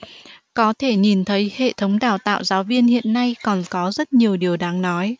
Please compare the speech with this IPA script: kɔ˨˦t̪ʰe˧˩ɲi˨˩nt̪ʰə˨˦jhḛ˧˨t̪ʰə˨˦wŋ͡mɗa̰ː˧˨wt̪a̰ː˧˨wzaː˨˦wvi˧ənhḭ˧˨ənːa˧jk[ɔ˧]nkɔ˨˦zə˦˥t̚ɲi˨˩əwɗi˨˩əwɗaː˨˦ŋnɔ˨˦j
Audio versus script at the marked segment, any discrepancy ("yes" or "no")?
yes